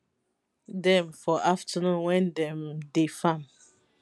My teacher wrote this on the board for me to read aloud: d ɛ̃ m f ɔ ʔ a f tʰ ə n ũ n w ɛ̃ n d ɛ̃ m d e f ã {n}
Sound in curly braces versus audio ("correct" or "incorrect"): incorrect